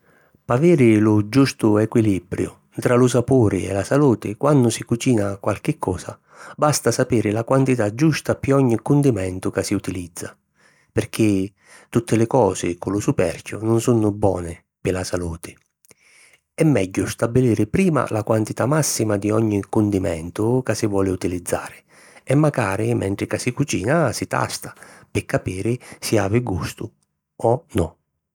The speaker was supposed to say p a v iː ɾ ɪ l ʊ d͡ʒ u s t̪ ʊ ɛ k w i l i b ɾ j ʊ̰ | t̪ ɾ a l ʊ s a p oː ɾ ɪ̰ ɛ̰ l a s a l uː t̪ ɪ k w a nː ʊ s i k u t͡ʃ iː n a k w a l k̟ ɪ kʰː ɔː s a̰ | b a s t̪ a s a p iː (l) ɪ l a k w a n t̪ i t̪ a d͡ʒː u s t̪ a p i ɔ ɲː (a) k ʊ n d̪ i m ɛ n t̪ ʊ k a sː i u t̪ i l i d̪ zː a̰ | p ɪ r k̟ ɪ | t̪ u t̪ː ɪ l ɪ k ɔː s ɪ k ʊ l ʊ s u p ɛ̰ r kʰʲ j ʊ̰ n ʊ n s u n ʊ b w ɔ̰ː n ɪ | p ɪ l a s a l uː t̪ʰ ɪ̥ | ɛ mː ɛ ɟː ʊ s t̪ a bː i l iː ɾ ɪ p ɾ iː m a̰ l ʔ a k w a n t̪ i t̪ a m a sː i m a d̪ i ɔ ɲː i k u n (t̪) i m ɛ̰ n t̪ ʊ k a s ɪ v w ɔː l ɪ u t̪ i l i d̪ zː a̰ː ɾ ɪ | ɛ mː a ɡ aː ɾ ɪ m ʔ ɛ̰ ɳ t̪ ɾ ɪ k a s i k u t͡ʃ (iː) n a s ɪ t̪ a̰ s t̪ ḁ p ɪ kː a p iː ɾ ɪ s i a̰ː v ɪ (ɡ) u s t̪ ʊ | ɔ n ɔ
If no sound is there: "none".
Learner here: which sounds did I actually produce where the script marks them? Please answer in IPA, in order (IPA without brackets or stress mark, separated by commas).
ɾ, i, d̪, iː, ɡ